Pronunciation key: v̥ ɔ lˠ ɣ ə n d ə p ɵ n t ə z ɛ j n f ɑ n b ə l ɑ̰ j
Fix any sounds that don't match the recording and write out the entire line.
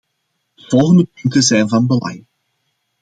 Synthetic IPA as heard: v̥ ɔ lˠ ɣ ə n d ə p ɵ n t ə z ɛ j n v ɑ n b ə l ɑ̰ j